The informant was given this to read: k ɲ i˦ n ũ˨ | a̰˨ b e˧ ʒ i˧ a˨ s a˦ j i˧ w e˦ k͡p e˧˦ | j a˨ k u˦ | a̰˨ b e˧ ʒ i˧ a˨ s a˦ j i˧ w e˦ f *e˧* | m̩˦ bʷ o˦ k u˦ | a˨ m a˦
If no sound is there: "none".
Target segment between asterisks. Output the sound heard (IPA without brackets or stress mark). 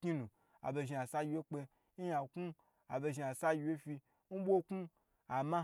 i˧